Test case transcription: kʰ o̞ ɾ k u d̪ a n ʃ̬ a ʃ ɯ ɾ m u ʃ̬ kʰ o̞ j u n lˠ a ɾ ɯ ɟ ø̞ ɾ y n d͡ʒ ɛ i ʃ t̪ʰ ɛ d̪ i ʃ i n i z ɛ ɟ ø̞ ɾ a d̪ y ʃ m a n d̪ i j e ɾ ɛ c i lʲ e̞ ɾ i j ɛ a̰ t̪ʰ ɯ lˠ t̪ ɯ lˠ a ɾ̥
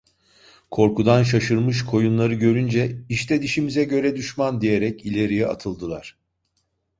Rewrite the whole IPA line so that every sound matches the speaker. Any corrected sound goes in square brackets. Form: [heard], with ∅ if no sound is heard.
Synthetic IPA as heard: kʰ o̞ ɾ k u d̪ a n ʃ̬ a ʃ ɯ ɾ m [ɯ] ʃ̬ kʰ o̞ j u n lˠ a ɾ ɯ ɟ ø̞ ɾ y n d͡ʒ ɛ i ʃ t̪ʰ ɛ d̪ i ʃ i [m] i z ɛ ɟ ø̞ ɾ [ɛ] d̪ y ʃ m a n d̪ i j e ɾ ɛ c i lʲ e̞ ɾ i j ɛ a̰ t̪ʰ ɯ lˠ [d̪] ɯ lˠ a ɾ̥